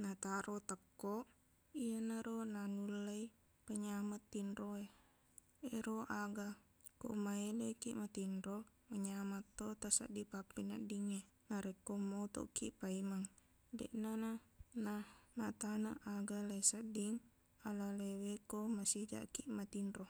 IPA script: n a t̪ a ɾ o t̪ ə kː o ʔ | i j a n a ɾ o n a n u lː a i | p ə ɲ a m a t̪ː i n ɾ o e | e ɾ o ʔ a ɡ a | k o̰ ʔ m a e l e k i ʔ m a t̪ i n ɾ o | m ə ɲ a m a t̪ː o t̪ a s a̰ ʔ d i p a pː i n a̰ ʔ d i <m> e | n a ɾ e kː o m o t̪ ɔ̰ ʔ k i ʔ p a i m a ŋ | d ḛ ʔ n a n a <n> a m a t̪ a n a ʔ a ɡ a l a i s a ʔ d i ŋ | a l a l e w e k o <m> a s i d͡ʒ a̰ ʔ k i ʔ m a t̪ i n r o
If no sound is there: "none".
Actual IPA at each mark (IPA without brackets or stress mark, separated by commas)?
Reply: ŋ, n, m